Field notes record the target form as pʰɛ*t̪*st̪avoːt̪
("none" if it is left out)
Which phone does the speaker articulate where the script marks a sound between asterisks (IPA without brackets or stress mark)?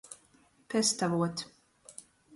none